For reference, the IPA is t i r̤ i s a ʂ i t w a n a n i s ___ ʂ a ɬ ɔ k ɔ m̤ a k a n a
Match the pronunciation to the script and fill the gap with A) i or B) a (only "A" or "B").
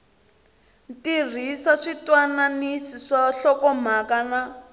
A